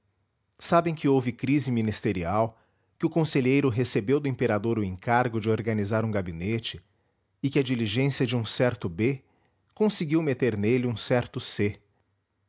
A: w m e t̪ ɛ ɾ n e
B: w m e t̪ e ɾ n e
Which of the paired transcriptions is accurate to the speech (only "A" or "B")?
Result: B